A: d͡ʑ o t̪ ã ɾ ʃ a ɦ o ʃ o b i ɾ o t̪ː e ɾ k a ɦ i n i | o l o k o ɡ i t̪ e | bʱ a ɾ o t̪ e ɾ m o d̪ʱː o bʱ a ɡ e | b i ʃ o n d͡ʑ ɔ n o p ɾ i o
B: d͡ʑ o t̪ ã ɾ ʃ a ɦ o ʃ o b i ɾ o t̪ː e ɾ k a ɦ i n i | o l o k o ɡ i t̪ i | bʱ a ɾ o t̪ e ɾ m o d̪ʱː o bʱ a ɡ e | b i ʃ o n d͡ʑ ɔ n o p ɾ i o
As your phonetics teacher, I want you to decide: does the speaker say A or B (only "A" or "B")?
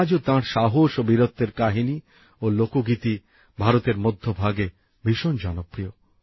B